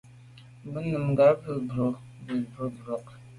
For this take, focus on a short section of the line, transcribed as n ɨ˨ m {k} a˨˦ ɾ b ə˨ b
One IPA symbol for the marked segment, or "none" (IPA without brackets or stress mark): ɡ